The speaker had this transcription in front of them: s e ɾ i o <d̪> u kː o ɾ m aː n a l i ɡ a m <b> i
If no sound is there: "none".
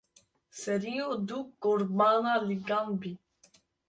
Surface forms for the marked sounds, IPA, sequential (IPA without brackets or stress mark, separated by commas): d̪, b